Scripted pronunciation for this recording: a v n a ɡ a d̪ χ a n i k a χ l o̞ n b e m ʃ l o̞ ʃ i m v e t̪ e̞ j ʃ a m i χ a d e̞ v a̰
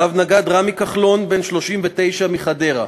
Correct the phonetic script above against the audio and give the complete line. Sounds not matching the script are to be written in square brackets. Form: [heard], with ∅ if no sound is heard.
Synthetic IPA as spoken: a v n a ɡ a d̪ [ʁ] a [m] i k a χ l o̞ n b e [n] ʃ l o̞ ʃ i m v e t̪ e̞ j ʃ a m i χ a d e̞ [ʁ] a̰